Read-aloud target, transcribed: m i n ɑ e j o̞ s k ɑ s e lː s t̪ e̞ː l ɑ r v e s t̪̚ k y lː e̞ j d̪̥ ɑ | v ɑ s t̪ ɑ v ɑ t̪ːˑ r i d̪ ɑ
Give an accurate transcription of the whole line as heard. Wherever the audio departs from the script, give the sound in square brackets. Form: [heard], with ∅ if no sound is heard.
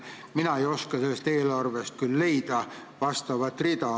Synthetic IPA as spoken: m i n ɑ e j o̞ s k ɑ s e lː s t̪ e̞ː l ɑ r v e s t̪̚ k y lː e̞ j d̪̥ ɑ | v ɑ s t̪ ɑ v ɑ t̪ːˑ r i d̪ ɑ